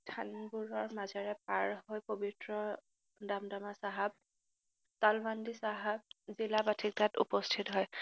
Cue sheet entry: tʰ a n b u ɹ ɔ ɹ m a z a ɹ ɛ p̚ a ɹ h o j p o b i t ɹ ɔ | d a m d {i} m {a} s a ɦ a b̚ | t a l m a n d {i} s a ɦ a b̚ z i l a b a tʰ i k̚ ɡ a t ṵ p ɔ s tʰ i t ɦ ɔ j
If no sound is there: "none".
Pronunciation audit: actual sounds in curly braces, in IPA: a, a, i

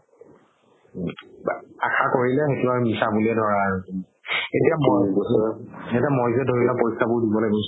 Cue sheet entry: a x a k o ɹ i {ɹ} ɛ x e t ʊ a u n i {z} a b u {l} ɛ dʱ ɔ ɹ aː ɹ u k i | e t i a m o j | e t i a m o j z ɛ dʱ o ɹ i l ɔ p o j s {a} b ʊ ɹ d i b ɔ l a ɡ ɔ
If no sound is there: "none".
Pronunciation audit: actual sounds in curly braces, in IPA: l, s, l, a

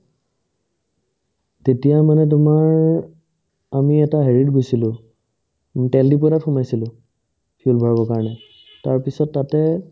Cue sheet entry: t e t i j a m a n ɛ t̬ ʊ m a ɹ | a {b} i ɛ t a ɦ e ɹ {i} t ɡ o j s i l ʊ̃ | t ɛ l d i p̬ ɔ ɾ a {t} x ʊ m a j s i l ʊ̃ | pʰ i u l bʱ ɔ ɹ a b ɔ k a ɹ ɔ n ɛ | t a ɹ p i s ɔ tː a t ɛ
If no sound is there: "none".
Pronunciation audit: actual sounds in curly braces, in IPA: m, i, t

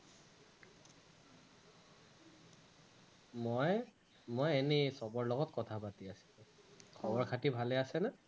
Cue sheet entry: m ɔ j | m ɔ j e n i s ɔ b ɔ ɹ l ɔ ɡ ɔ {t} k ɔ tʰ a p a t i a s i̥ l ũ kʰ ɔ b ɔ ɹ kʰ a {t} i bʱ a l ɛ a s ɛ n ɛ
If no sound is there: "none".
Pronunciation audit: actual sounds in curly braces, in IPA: t, t

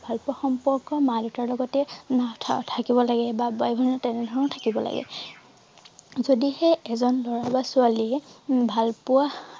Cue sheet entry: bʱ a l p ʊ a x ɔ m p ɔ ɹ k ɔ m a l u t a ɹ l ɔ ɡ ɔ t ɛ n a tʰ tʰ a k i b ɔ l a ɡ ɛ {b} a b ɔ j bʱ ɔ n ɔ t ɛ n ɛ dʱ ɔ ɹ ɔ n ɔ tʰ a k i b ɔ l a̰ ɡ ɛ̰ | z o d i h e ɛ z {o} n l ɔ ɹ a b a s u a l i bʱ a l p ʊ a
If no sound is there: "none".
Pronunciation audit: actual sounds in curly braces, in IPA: b, ɔ

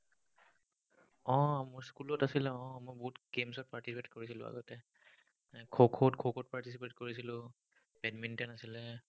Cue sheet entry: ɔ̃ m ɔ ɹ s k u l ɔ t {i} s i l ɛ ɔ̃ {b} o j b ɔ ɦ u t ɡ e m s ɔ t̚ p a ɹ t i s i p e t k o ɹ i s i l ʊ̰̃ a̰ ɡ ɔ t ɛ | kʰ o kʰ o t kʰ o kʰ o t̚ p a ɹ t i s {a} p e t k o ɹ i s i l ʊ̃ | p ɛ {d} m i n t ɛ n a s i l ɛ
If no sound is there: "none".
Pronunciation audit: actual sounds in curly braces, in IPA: a, m, i, d

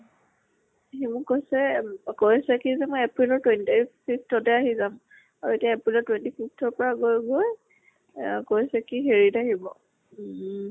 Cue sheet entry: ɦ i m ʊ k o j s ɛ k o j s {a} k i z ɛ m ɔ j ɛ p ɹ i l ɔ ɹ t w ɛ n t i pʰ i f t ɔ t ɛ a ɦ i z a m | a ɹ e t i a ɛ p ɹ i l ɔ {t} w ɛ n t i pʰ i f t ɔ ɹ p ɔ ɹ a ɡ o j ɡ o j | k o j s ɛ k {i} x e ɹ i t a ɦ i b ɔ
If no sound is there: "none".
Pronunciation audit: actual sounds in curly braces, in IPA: ɛ, t, i

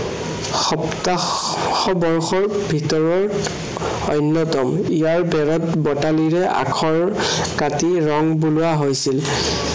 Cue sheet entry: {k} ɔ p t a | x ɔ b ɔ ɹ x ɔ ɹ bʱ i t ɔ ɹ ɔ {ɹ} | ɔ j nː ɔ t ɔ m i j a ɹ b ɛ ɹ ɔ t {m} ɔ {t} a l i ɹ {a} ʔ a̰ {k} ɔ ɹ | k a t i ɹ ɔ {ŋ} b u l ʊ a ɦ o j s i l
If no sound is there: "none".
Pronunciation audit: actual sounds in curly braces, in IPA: x, ɹ, b, t, ɛ, kʰ, ŋ

